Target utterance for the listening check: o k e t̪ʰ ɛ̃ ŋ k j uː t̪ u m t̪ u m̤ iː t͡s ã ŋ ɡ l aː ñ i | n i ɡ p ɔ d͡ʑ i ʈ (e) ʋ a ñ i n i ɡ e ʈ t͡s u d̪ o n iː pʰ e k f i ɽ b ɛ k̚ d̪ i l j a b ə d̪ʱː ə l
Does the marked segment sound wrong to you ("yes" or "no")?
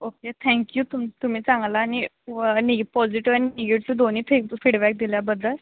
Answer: yes